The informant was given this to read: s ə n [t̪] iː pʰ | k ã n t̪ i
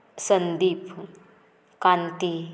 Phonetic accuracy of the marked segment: incorrect: d̪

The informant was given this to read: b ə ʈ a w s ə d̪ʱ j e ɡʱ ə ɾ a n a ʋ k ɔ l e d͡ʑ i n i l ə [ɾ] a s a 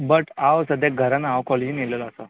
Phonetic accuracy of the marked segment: incorrect: l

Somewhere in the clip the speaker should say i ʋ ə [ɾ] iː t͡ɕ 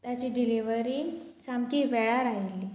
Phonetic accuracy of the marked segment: correct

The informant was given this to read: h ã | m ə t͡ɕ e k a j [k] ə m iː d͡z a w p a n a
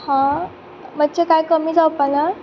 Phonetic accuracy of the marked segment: correct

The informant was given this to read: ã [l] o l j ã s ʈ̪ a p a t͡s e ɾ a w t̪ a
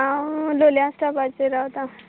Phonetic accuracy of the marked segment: correct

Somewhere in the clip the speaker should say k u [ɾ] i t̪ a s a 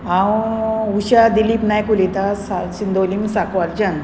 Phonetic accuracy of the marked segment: incorrect: l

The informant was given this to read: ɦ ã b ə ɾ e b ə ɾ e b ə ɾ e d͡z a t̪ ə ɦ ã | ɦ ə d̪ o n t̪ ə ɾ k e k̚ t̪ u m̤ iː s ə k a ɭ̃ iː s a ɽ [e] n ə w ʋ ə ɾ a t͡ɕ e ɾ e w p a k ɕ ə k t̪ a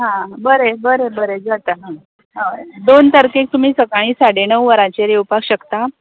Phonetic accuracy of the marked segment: correct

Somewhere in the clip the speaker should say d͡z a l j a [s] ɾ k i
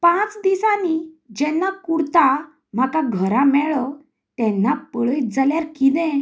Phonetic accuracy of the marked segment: incorrect: none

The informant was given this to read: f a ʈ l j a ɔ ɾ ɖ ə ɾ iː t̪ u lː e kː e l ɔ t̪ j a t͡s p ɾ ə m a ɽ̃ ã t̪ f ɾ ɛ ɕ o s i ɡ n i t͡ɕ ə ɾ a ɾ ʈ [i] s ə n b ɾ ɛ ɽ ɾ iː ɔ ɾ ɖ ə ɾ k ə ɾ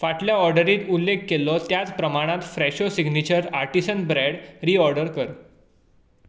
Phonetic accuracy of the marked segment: correct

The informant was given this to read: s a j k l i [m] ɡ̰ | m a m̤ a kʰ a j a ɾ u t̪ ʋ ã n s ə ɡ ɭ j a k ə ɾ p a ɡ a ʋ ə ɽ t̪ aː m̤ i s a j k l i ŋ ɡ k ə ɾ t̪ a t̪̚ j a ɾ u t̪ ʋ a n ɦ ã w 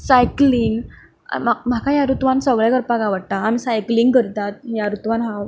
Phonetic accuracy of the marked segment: incorrect: ŋ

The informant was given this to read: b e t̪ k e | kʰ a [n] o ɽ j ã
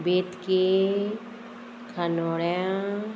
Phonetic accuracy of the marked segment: correct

